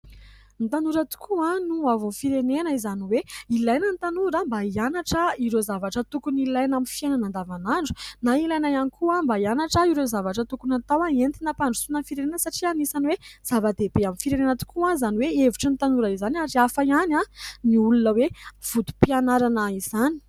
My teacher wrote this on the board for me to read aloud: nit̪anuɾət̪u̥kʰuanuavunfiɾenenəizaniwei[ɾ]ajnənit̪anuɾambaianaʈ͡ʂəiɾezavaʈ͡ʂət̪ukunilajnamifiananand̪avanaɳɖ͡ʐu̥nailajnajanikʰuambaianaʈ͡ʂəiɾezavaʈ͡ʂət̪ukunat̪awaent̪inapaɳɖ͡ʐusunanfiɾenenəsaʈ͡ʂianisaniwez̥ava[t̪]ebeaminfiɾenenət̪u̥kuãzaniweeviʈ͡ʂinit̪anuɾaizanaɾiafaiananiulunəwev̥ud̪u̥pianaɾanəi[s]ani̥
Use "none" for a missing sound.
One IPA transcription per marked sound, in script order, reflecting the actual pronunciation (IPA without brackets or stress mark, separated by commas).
l, d̪, z